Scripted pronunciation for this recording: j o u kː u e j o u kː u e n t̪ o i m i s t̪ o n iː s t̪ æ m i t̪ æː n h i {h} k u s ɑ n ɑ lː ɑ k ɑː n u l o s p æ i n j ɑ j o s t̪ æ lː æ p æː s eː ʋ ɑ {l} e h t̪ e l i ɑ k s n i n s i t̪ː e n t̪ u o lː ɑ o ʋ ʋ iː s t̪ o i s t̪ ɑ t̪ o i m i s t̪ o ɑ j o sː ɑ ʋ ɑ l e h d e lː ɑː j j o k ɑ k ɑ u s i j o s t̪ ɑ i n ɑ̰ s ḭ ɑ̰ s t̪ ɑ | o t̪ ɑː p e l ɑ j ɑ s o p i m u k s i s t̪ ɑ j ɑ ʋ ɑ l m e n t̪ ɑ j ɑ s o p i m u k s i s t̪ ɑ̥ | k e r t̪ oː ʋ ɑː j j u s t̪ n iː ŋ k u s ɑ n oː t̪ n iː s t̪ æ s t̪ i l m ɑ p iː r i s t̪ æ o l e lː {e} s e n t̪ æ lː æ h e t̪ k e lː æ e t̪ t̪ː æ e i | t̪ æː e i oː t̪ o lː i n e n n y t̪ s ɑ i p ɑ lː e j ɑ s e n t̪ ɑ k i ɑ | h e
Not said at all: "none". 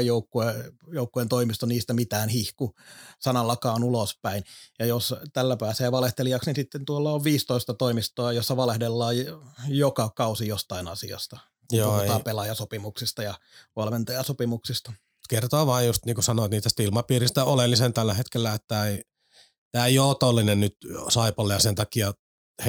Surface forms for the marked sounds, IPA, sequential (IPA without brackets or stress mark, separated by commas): h, l, i